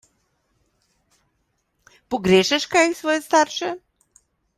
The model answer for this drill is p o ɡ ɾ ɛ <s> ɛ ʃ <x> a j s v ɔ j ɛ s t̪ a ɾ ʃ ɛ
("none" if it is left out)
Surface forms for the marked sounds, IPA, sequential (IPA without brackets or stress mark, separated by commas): ʃ, k